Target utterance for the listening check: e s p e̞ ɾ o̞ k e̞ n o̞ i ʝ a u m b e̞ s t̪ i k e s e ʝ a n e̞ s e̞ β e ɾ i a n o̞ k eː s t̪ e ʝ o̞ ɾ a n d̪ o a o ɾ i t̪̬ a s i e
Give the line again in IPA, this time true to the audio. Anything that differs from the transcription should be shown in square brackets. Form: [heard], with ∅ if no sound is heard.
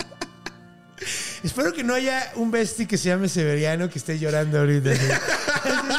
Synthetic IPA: e s p e̞ ɾ o̞ k e̞ n o̞ [a] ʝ a u m b e̞ s t̪ i k e s e ʝ a [m] e̞ s e̞ β e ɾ [j] a n o̞ k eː s t̪ e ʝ o̞ ɾ a n d̪ o a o ɾ i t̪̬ a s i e